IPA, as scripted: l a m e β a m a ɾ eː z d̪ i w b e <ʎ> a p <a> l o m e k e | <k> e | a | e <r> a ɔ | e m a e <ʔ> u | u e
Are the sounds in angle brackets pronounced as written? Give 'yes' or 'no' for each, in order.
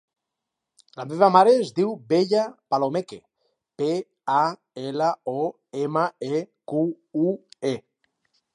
yes, yes, no, no, no

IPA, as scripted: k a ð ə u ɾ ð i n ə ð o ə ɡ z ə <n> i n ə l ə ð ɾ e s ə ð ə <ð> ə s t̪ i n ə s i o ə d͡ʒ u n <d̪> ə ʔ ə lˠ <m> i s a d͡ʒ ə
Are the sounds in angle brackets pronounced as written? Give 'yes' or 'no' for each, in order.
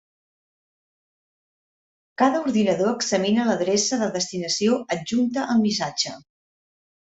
no, yes, no, yes

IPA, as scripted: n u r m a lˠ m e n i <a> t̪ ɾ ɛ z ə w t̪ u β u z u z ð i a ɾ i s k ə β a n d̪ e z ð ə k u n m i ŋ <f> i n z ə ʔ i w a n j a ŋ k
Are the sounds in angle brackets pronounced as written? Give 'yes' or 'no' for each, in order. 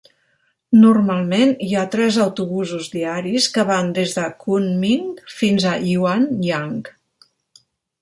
yes, yes

